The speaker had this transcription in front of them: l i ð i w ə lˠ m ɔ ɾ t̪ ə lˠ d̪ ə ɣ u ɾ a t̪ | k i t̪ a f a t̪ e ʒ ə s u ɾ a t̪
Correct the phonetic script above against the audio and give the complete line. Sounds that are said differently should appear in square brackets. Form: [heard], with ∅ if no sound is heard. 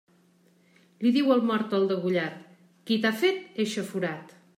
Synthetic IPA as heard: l i ð i w ə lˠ m ɔ ɾ t̪ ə lˠ d̪ ə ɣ u [ʎ] a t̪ | k i t̪ a f [e] t̪ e [ʃ] ə [f] u ɾ a t̪